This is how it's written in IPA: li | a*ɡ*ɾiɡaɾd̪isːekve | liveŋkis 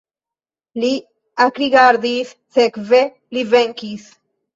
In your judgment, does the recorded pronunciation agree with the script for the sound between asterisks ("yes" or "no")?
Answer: no